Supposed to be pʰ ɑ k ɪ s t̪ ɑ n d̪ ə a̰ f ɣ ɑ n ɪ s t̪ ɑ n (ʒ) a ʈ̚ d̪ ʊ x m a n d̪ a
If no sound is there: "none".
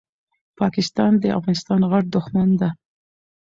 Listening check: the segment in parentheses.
ɣ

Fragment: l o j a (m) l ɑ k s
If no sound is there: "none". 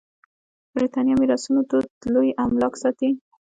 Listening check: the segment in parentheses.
m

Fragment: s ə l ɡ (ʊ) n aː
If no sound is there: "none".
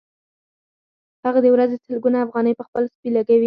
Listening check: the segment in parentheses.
u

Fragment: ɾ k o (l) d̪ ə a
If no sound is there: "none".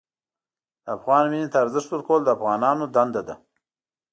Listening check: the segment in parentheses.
l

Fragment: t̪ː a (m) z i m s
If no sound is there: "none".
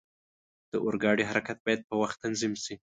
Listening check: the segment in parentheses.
n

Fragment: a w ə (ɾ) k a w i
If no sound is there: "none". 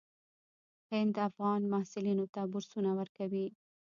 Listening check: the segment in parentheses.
ɾ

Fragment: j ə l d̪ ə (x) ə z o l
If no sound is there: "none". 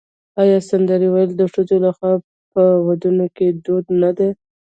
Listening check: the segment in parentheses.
ʂ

